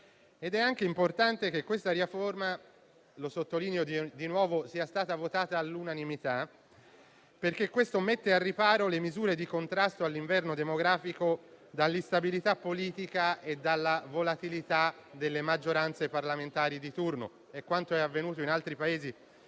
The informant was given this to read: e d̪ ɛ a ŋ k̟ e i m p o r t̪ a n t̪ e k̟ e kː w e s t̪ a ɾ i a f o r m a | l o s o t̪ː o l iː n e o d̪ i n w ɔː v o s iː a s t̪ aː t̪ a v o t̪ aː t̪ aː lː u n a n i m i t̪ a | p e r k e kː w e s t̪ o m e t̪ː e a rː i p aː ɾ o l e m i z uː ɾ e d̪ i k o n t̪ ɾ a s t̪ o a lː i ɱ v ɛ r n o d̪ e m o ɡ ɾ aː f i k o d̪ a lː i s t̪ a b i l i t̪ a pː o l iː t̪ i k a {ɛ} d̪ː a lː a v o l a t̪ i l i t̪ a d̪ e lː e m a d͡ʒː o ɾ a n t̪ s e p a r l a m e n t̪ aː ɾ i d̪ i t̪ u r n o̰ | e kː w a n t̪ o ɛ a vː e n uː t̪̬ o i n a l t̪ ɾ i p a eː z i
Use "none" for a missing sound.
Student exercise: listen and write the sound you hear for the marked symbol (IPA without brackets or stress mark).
e